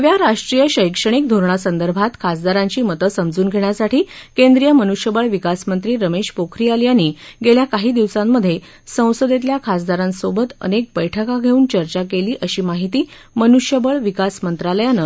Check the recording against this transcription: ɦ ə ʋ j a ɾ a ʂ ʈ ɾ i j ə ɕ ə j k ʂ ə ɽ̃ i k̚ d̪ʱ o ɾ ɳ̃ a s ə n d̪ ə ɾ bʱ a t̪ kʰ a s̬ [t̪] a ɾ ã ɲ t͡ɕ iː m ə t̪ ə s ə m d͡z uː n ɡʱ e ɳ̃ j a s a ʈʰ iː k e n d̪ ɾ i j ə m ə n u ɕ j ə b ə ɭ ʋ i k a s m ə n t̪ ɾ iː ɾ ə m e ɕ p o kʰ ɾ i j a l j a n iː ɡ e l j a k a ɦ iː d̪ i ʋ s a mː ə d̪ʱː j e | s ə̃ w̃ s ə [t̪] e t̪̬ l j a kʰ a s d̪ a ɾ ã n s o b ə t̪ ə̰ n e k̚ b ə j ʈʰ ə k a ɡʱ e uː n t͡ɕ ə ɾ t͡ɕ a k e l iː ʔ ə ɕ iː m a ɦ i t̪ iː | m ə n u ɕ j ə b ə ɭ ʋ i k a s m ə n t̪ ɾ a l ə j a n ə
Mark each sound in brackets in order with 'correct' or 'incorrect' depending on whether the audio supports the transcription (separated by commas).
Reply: incorrect, incorrect